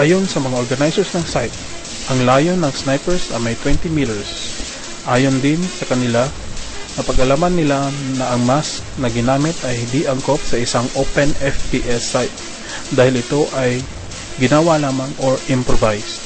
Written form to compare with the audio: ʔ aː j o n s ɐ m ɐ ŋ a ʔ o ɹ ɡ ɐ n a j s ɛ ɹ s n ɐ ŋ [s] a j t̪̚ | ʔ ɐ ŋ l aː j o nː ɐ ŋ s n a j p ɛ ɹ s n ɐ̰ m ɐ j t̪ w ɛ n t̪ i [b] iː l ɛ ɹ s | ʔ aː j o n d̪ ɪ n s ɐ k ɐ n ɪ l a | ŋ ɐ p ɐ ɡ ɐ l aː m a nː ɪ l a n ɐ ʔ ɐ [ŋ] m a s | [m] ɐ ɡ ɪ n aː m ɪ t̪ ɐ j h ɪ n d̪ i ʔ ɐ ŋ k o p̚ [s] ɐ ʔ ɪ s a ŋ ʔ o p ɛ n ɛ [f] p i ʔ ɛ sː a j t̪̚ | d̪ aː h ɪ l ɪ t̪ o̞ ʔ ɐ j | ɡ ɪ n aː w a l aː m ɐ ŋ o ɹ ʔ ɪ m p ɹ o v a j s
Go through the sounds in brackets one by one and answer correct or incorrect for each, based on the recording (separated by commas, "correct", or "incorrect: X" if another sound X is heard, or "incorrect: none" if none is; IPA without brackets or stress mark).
correct, incorrect: m, correct, incorrect: n, correct, correct